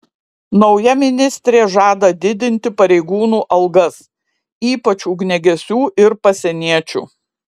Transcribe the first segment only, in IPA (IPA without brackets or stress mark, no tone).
n